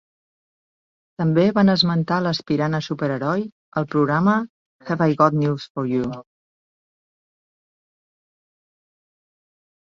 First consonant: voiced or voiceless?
voiceless